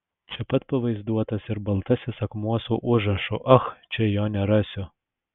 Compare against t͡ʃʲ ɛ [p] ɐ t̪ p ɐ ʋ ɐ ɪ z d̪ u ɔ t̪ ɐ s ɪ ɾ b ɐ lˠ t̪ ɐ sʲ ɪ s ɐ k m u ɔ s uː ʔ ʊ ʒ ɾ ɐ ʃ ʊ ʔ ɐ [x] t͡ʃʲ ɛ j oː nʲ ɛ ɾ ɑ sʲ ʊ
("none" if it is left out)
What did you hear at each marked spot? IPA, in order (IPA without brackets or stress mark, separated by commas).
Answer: p, x